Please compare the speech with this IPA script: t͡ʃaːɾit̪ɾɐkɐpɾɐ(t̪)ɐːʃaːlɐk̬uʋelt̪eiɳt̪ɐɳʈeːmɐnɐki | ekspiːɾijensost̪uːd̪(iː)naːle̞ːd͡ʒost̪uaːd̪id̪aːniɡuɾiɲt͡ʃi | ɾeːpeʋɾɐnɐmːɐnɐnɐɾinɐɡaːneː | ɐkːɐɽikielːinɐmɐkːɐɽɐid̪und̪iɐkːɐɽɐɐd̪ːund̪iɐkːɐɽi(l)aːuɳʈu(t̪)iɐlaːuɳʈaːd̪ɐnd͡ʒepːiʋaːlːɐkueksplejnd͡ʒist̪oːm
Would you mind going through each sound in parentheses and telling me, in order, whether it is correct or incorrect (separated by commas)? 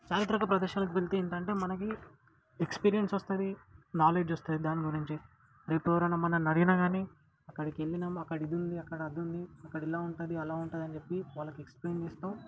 incorrect, incorrect, correct, incorrect